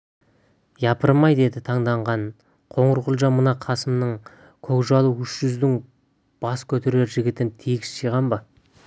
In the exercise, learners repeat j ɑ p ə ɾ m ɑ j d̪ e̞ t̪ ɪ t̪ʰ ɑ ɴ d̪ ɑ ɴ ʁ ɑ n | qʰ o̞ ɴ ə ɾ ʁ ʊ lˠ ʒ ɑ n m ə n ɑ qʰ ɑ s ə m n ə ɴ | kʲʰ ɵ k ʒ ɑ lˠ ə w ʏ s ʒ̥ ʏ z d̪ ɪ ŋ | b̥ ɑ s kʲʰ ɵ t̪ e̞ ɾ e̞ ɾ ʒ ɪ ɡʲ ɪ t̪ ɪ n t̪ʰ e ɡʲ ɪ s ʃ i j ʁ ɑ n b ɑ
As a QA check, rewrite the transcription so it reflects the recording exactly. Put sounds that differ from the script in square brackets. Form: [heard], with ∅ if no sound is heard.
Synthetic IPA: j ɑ p ə ɾ m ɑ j d̪ e̞ [d̪] ɪ t̪ʰ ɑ ɴ d̪ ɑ ɴ ʁ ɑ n | qʰ o̞ ɴ ə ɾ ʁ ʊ lˠ ʒ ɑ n m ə n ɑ qʰ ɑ s ə m n ə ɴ | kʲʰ ɵ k ʒ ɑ lˠ ə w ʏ [ʃ] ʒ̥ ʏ z d̪ ɪ ŋ | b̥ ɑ s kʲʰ ɵ t̪ e̞ ɾ e̞ ɾ ʒ ɪ ɡʲ ɪ t̪ ɪ n t̪ʰ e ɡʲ ɪ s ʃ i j ʁ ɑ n b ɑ